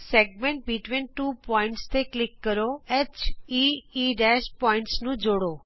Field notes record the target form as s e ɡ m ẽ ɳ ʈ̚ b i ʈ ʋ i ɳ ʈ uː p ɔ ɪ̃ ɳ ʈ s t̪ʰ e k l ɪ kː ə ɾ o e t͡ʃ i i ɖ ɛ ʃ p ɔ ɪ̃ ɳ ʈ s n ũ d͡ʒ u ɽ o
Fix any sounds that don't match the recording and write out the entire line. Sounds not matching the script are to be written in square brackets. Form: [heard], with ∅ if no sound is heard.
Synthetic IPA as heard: s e ɡ m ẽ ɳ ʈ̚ b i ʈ ʋ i [n] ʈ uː p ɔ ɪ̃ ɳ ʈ s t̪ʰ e k l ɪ kː ə ɾ o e t͡ʃ i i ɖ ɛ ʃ p ɔ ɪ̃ ɳ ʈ s n ũ d͡ʒ [o] ɽ o